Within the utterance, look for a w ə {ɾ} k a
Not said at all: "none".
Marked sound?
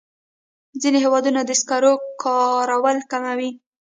l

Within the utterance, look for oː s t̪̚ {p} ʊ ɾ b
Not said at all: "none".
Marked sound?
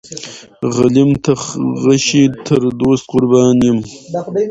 q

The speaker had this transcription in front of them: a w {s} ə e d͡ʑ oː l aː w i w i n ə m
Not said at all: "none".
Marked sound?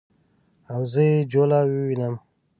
z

